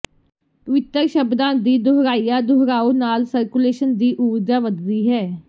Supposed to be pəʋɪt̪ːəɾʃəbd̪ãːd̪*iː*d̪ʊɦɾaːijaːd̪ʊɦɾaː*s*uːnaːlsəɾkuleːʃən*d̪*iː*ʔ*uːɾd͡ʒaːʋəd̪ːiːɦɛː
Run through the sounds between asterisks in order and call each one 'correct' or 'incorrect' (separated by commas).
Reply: correct, incorrect, correct, correct